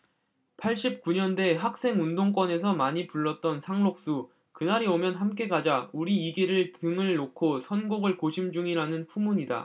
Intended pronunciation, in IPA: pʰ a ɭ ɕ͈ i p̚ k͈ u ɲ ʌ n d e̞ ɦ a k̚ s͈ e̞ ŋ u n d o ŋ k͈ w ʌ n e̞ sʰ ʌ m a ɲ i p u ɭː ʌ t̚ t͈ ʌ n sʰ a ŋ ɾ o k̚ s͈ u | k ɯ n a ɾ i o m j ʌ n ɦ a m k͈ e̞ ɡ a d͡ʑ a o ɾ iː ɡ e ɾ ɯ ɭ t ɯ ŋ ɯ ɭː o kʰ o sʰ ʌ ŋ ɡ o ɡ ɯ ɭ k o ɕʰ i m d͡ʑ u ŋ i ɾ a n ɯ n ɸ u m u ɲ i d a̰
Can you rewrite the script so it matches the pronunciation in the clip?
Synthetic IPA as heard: pʰ a ɭ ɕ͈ i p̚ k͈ u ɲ ʌ n d e̞ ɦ a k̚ s͈ e̞ ŋ u n d o ŋ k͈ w ʌ n e̞ sʰ ʌ m a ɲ i p u ɭː ʌ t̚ t͈ ʌ n sʰ a ŋ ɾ o k̚ s͈ u | k ɯ n a ɾ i o m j ʌ n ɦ a m k͈ e̞ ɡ a d͡ʑ a u ɾ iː ɡ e ɾ ɯ ɭ t ɯ ŋ ɯ ɭː o kʰ o sʰ ʌ n ɡ o ɡ ɯ ɭ k o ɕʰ i m d͡ʑ u ŋ i ɾ a n ɯ n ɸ u m u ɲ i d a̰